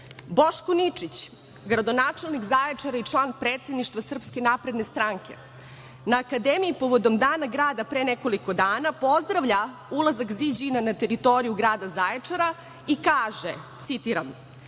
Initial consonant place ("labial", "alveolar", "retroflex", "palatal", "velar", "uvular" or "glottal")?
labial